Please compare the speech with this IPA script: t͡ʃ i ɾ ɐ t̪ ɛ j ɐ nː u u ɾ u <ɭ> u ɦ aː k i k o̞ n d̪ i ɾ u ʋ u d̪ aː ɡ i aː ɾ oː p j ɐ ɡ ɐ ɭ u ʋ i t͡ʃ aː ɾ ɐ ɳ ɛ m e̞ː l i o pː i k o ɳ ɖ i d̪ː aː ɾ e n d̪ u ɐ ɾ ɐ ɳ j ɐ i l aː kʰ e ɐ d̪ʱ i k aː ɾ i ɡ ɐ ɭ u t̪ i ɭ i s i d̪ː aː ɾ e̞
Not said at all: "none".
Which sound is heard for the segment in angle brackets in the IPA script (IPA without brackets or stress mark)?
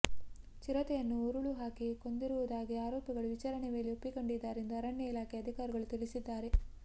ɭ